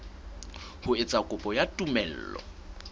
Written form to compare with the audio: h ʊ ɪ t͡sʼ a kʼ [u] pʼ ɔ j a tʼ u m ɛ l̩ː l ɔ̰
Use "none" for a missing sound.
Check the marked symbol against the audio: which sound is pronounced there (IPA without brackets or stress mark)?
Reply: ʊ